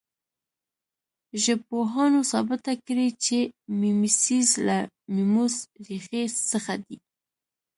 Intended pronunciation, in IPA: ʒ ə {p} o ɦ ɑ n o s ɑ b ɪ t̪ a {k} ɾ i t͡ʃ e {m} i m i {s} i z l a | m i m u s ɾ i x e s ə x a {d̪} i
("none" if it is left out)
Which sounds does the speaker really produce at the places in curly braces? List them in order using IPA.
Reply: p, k, m, s, d̪

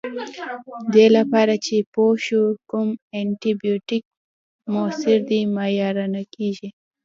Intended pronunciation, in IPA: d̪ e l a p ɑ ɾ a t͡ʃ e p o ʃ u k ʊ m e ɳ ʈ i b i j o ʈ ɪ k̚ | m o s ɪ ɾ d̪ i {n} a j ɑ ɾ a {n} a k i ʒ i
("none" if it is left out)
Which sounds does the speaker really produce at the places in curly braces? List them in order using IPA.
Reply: m, n

